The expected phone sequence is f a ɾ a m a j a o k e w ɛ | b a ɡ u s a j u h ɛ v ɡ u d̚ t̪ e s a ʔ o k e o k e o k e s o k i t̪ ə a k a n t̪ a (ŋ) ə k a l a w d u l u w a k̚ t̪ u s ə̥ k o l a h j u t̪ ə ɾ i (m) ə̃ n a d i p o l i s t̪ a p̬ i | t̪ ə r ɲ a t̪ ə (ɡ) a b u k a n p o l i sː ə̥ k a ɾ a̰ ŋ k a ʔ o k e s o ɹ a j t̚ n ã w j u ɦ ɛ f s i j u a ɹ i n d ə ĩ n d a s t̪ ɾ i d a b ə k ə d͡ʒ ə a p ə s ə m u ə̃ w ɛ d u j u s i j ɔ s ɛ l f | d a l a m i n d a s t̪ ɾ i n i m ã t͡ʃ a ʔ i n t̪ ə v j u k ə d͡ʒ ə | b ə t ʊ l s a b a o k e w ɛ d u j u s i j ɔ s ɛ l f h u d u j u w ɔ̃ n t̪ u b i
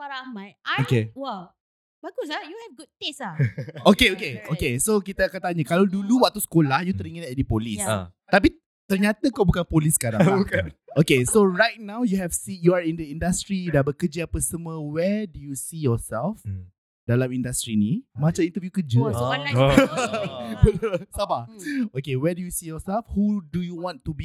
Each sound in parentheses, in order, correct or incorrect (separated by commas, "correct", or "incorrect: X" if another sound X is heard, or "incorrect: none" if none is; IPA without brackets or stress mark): incorrect: ɲ, incorrect: ŋ, incorrect: k